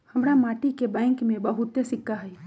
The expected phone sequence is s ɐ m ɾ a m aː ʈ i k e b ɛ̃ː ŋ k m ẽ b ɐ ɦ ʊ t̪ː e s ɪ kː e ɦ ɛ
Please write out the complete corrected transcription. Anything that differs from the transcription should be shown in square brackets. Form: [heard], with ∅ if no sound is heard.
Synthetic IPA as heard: [h] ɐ m ɾ a m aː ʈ i k e b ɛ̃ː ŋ k m ẽ b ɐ ɦ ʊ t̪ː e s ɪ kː [a] ɦ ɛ